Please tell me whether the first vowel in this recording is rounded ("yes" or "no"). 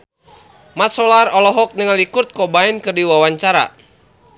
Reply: no